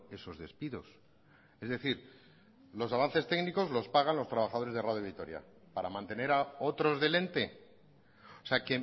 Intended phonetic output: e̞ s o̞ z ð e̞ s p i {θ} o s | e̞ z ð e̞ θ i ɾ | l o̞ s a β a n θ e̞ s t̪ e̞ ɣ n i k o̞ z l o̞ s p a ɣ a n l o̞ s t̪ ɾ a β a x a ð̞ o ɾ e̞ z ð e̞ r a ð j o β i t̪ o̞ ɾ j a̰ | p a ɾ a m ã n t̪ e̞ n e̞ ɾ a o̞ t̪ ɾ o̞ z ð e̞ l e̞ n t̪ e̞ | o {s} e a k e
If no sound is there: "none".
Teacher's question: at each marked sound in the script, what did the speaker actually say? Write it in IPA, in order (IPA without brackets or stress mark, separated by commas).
ð, s